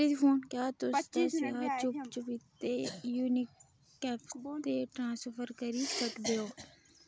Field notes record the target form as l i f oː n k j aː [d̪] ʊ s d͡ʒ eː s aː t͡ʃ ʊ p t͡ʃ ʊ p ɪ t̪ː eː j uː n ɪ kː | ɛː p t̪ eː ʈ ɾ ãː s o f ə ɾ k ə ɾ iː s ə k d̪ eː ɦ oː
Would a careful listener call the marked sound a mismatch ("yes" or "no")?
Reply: yes